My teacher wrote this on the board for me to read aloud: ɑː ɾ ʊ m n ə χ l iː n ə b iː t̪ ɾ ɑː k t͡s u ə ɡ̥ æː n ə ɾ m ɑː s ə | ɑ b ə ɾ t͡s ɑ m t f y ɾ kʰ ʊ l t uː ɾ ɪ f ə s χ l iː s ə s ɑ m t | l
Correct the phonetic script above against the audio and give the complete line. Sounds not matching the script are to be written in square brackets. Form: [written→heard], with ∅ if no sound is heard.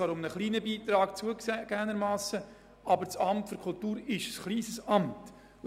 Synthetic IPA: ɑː ɾ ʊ m n ə χ l iː n ə b iː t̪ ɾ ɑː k t͡s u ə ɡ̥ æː n ə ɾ m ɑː s ə | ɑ b ə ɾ t͡s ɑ m t f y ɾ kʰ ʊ l t uː ɾ ɪ [f→ʃ] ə s χ l iː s ə s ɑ m t | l